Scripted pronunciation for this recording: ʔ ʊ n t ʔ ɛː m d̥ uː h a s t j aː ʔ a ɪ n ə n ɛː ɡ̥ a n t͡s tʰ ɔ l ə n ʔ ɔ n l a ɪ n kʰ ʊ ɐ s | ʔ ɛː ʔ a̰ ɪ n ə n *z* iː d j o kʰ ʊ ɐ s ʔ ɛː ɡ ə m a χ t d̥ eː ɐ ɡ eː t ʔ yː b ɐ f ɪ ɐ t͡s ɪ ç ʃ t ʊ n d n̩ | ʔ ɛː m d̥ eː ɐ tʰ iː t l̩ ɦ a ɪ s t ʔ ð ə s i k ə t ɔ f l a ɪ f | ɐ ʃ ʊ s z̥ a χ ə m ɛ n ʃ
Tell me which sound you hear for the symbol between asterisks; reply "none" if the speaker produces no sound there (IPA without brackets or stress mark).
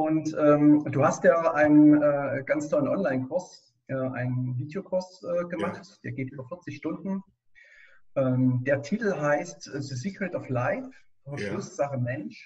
v